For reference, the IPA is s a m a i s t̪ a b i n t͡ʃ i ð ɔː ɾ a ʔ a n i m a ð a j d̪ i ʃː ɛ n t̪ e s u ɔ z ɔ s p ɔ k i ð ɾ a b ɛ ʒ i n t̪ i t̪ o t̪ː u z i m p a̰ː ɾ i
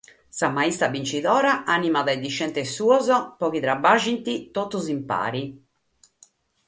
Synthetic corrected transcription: s a m a i s t̪ a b i n t͡ʃ i ð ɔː ɾ a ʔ a n i m a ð a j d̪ i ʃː ɛ n t̪ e s u ɔ z ɔ p ɔ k i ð ɾ a b a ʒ i n t̪ i t̪ o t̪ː u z i m p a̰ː ɾ i